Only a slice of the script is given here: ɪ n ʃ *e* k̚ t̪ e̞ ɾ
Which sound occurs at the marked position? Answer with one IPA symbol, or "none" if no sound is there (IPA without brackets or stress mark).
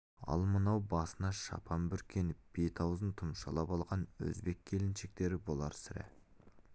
e